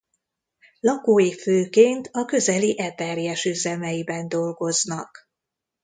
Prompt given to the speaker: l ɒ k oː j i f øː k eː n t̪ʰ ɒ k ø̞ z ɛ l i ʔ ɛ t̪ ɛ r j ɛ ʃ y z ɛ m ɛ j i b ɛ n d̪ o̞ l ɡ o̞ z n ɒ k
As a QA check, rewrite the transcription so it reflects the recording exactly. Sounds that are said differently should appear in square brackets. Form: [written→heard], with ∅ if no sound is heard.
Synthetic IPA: l ɒ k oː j i f øː k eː n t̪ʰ ɒ k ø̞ z ɛ l i ʔ ɛ t̪ ɛ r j ɛ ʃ y z ɛ m ɛ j i b ɛ n d̪ o̞ l ɡ o̞ z n ɒ k